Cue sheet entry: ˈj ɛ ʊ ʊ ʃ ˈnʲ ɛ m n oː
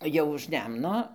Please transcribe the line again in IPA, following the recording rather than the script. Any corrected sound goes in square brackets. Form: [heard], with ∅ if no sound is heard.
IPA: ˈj ɛ ʊ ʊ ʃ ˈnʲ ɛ m n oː